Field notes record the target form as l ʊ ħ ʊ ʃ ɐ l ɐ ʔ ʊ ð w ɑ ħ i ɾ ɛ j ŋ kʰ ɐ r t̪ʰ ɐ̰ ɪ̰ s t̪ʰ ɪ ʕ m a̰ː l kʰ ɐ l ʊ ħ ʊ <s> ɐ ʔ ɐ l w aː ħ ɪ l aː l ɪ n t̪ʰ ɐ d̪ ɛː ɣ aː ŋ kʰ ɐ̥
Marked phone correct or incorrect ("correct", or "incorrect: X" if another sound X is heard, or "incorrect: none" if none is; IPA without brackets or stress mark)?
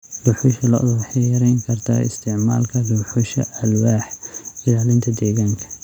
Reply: incorrect: ʃ